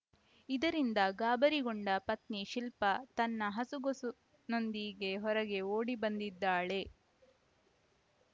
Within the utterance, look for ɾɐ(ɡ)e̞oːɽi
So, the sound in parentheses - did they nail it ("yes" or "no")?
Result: yes